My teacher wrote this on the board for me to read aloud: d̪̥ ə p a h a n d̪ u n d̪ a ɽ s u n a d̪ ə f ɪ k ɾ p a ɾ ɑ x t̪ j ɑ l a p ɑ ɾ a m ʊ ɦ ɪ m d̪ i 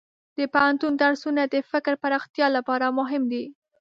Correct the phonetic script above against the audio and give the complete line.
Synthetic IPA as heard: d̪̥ ə p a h a n t̪ u n d̪ a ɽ s u n a d̪ ə f ɪ k ɾ p a ɾ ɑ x t̪ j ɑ l a p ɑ ɾ a m ʊ ɦ ɪ m d̪ i